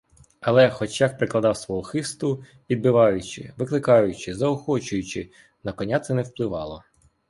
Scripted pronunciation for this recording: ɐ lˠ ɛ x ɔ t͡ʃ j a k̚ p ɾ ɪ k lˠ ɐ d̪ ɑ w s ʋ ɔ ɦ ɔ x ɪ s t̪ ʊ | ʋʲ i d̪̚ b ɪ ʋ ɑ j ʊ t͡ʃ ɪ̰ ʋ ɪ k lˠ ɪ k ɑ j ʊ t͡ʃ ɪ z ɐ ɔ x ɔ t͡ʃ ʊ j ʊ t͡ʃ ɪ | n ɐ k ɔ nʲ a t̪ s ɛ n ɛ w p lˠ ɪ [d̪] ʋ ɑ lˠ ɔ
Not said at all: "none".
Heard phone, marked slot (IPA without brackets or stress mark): none